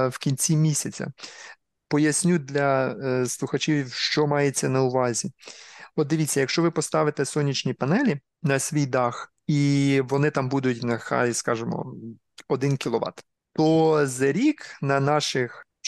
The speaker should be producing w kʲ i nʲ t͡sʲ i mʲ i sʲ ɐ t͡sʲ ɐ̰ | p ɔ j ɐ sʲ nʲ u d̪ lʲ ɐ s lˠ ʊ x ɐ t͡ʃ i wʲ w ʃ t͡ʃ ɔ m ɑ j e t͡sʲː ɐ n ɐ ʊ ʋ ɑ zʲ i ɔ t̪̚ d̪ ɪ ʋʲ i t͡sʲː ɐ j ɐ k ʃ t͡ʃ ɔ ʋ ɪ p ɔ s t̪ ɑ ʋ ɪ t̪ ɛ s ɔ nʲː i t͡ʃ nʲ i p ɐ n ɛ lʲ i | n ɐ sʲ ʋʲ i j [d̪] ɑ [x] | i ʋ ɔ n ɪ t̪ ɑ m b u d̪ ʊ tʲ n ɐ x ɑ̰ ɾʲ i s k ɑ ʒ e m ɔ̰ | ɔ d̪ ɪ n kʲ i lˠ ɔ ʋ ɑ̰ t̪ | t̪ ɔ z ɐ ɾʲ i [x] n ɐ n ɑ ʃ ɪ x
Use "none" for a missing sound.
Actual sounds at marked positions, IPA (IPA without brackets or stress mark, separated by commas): d̪, x, k